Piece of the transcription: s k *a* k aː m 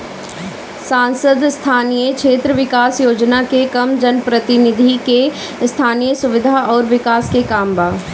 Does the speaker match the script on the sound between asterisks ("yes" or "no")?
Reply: no